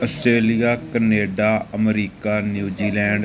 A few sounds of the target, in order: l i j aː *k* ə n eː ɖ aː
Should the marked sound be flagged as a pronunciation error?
no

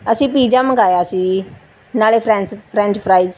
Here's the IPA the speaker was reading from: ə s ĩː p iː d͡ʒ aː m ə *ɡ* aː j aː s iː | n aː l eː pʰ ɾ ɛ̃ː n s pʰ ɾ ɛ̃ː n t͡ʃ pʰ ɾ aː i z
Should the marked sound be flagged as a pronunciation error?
no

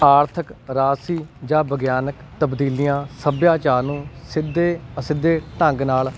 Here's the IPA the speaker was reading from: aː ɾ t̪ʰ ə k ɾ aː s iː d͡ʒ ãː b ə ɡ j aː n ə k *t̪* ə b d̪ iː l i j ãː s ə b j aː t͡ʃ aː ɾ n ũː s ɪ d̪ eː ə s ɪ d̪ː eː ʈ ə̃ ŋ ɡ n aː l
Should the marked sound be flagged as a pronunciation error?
no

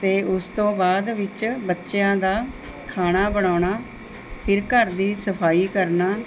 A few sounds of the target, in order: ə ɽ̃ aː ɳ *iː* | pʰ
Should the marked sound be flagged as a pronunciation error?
yes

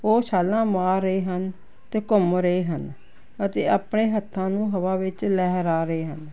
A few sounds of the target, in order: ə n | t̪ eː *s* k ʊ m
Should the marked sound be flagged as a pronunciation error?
yes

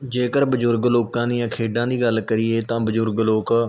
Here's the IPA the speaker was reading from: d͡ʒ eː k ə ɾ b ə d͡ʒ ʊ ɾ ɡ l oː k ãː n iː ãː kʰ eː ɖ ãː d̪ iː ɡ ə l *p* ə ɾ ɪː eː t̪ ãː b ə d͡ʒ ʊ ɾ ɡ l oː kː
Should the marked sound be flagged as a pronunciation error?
yes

